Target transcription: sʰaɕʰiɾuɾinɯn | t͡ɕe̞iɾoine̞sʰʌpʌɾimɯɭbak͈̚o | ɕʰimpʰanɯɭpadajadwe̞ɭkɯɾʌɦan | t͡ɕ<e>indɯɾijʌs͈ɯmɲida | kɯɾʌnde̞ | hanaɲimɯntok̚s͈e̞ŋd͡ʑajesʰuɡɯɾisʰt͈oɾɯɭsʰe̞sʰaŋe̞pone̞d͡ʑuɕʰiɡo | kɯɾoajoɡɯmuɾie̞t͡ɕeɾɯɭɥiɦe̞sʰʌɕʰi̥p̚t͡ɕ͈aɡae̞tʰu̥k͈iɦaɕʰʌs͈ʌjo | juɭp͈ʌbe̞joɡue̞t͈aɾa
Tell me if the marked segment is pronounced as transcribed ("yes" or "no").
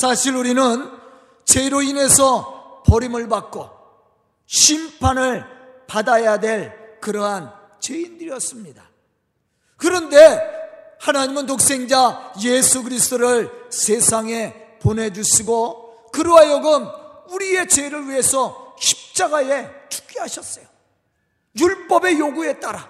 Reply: yes